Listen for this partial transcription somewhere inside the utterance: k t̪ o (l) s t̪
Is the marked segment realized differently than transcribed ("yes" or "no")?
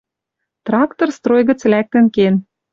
yes